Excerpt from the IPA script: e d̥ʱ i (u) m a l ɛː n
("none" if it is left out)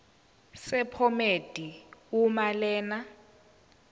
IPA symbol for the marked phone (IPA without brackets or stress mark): u